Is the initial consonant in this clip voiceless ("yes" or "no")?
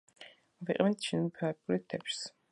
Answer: no